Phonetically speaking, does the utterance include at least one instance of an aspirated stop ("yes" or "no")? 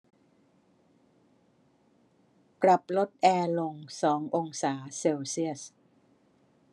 no